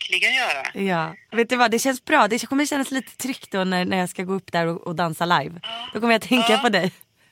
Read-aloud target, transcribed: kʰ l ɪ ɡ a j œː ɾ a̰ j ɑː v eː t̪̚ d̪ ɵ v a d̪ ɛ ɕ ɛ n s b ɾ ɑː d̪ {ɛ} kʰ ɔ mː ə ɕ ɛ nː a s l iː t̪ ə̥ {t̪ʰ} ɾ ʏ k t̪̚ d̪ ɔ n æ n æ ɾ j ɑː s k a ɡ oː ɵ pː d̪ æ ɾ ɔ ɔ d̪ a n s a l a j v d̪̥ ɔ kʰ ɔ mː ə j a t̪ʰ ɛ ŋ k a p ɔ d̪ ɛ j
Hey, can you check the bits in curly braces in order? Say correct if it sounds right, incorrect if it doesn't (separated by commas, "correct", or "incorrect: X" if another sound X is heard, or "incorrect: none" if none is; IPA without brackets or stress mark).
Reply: correct, correct